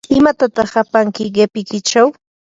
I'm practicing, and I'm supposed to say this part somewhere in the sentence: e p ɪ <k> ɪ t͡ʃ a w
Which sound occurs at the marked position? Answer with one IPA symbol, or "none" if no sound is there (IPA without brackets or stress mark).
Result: k